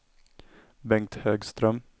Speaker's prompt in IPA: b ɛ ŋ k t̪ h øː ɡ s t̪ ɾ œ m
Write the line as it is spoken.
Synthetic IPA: b ɛ ŋ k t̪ h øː ɡ s t̪ ɾ œ m